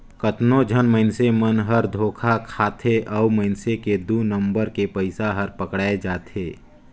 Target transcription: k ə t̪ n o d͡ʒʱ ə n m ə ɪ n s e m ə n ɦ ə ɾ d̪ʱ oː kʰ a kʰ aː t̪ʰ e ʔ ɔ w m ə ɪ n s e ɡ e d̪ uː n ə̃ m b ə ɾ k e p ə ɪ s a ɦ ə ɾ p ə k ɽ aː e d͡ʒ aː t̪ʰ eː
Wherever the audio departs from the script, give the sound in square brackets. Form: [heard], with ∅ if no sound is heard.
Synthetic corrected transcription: k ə t̪ n o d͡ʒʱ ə n m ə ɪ n s e m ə n ɦ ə ɾ d̪ʱ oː kʰ a kʰ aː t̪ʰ e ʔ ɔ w m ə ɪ n s e [k] e d̪ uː n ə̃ m b ə ɾ k e p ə ɪ s a ɦ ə ɾ p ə k ɽ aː e d͡ʒ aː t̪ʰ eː